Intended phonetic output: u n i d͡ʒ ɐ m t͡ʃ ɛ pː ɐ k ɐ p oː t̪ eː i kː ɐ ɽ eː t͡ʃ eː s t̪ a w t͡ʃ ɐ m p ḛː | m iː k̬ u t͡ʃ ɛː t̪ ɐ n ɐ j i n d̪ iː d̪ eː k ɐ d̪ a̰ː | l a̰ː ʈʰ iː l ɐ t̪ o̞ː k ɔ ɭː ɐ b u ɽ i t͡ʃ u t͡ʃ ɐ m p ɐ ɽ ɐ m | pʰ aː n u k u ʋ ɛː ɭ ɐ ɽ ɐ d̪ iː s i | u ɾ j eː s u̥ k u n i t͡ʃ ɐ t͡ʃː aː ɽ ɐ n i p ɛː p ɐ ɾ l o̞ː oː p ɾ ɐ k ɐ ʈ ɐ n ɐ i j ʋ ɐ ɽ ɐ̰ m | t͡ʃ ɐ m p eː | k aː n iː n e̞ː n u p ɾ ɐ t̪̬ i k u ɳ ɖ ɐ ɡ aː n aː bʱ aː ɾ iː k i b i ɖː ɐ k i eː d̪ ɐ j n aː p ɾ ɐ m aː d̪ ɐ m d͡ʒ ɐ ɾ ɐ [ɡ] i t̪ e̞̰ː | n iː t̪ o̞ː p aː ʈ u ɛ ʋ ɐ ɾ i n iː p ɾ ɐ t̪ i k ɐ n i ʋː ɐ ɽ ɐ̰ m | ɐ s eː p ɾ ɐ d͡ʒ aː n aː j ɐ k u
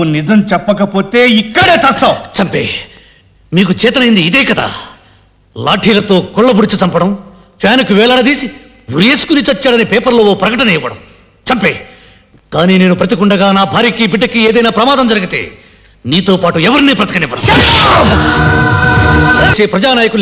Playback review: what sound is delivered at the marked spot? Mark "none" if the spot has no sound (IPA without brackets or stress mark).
ɡ